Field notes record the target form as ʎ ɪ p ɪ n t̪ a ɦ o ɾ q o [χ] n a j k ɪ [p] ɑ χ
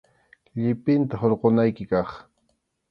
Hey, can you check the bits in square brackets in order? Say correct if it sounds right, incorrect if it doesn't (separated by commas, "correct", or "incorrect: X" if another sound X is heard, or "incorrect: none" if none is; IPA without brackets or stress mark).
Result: incorrect: none, incorrect: k